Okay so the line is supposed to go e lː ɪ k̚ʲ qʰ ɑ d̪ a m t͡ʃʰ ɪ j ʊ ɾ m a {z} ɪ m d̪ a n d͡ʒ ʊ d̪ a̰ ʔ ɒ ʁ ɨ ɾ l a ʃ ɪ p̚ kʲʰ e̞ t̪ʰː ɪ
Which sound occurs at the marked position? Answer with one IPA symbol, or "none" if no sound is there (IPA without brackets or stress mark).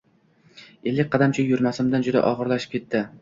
s